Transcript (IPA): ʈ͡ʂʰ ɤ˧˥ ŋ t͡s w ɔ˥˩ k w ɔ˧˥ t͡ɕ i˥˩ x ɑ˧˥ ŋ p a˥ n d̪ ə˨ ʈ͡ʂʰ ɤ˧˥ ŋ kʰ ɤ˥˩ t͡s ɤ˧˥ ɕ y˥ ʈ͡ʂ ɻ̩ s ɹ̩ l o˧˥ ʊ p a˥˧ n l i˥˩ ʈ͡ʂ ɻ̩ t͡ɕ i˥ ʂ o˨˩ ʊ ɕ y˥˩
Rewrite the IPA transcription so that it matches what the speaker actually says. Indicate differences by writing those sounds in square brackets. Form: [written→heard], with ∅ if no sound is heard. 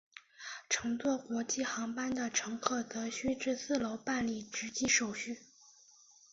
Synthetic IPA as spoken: ʈ͡ʂʰ ɤ˧˥ ŋ t͡s w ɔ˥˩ k w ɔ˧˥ t͡ɕ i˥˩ x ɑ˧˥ ŋ p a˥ n d̪ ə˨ ʈ͡ʂʰ ɤ˧˥ ŋ kʰ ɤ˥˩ t͡s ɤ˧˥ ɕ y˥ ʈ͡ʂ ɻ̩ s ɹ̩ l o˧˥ ʊ p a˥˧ n l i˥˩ ʈ͡ʂ ɻ̩ t͡ɕ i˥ ʂ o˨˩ ʊ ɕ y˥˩